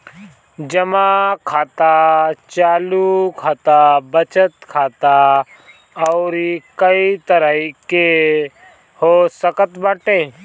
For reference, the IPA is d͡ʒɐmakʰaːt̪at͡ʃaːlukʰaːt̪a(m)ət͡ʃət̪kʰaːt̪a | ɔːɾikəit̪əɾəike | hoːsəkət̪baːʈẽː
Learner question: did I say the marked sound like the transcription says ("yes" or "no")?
no